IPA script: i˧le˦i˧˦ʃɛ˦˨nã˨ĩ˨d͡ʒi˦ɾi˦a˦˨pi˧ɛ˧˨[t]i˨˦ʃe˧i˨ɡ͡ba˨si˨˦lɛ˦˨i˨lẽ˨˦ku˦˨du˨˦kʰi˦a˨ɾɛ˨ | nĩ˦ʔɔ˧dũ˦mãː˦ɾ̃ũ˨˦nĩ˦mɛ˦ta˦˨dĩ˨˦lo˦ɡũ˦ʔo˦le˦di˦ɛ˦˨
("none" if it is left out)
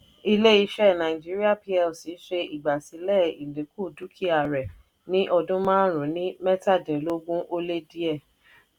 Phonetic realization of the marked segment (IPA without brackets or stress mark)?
s